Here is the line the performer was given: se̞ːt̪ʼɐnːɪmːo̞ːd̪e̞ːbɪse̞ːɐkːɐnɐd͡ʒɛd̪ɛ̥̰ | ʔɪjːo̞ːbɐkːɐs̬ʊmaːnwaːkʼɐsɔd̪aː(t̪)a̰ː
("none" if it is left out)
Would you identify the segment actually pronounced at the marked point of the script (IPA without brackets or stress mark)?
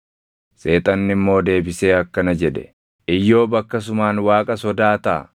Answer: t̪